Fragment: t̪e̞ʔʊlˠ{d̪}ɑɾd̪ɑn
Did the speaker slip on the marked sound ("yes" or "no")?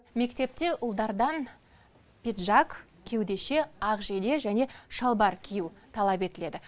no